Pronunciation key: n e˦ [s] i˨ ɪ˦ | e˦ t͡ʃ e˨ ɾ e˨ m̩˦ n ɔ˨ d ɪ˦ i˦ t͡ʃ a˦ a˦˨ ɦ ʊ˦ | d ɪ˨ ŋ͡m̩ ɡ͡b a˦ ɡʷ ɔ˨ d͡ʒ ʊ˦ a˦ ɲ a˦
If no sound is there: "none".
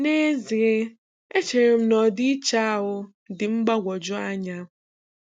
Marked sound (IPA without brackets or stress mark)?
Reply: z